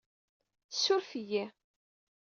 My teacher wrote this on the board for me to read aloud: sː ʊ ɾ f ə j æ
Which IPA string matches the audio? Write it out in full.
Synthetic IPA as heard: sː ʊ ɾ f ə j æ